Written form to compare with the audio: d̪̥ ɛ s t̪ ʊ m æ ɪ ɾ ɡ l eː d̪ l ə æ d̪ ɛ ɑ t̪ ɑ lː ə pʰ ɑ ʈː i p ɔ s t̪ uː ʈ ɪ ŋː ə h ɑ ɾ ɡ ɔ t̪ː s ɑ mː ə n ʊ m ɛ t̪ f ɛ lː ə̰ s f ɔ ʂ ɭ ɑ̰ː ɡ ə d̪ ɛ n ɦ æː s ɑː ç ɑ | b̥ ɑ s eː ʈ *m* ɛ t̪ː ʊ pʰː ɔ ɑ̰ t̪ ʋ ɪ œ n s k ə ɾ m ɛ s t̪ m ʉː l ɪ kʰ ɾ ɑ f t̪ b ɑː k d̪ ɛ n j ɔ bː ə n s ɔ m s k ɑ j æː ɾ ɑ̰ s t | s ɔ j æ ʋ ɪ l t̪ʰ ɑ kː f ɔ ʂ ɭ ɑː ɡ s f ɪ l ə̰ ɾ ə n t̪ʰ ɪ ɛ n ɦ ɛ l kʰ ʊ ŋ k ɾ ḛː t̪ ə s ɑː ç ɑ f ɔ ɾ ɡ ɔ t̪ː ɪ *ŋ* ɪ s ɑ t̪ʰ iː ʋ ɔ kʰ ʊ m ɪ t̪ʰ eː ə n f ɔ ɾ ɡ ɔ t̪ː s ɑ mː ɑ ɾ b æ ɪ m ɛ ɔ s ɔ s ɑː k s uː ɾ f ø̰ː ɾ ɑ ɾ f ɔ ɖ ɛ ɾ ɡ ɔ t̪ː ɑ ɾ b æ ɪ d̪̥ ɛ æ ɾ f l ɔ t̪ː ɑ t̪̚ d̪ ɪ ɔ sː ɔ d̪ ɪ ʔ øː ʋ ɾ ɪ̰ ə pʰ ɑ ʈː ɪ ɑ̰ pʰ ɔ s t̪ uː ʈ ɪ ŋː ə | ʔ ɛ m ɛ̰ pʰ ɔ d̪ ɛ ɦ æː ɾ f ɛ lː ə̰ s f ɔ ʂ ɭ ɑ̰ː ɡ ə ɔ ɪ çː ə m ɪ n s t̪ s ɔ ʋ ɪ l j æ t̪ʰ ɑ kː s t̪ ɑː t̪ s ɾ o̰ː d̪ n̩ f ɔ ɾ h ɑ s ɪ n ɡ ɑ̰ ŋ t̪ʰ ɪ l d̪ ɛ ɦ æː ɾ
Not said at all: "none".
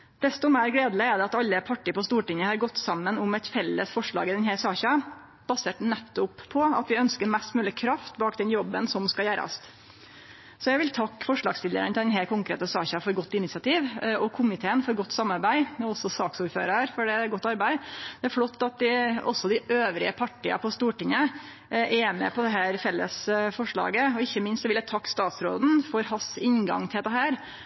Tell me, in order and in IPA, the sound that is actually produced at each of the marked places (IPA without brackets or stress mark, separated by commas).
n, n